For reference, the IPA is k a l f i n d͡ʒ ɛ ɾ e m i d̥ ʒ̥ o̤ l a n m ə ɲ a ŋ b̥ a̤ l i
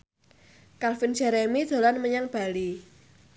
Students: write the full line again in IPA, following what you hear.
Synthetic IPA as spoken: k a l f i n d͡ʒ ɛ ɾ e m i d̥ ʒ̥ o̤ l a n m ə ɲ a ŋ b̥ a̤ l i